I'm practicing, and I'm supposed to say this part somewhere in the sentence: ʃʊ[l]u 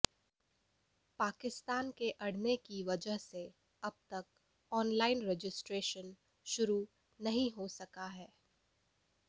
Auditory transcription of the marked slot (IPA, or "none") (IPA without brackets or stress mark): ɾ